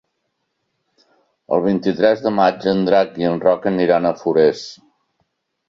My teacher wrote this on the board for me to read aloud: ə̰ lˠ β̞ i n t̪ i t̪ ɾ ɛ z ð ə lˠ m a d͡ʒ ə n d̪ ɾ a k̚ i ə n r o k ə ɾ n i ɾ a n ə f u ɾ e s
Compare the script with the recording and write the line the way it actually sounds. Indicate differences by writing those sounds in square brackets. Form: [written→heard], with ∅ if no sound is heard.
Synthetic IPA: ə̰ lˠ β̞ i n t̪ i t̪ ɾ ɛ z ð ə [lˠ→∅] m a d͡ʒ ə n d̪ ɾ a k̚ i ə n r [o→ɔ] k ə [ɾ→∅] n i ɾ a n ə f u ɾ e s